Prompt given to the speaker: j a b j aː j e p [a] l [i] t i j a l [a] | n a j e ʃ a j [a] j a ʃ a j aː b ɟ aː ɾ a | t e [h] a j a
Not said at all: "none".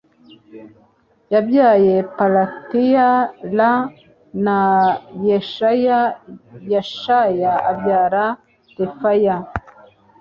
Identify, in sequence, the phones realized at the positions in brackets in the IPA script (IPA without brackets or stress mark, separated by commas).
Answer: a, a, a, a, f